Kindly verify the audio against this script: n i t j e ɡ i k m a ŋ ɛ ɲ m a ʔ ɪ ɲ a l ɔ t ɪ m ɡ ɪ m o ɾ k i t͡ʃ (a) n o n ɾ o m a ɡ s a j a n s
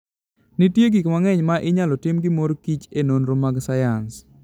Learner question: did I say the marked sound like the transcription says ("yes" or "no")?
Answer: no